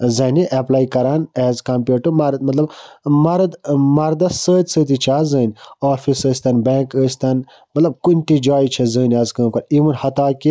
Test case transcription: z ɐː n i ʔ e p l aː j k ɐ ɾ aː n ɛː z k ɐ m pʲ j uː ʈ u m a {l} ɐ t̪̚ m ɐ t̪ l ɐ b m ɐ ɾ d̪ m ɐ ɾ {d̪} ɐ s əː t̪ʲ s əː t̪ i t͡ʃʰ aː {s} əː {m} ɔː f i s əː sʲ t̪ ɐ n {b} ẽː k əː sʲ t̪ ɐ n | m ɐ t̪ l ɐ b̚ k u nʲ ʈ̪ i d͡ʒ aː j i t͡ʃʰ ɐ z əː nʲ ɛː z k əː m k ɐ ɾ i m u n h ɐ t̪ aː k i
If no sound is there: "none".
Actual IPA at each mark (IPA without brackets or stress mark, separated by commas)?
ɾ, d̪, z, n, b